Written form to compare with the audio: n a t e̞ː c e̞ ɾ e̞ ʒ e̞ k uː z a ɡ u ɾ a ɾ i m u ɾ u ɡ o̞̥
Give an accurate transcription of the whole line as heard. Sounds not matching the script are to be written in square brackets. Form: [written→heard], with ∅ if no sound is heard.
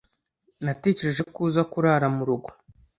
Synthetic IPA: n a t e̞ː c e̞ ɾ e̞ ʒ e̞ k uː z a [ɡ→k] u ɾ a ɾ [i→a] m u ɾ u ɡ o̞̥